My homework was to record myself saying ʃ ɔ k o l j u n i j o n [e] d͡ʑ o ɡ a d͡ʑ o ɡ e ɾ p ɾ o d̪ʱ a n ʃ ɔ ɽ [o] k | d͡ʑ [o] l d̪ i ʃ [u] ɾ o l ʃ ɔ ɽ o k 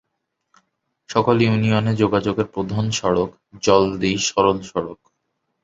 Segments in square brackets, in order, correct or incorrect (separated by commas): correct, correct, incorrect, incorrect